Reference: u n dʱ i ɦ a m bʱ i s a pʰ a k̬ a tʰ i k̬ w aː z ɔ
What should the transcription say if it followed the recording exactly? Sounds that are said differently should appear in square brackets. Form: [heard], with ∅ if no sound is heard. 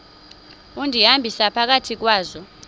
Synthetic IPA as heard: u n dʱ i ɦ a m bʱ i s a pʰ a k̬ a tʰ i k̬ w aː z ɔ